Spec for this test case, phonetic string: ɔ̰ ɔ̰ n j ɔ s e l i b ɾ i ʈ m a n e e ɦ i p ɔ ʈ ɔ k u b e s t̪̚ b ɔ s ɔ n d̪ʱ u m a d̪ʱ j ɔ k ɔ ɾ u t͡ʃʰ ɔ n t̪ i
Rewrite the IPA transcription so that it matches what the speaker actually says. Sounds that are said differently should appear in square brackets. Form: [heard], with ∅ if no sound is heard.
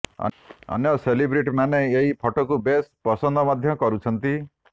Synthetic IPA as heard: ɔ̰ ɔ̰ n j ɔ s e l i b ɾ i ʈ m a n e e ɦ i [pʰ] ɔ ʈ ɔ k u b e s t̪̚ [p] ɔ s ɔ n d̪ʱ [ɔ] m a d̪ʱ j ɔ k ɔ ɾ u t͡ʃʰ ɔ n t̪ i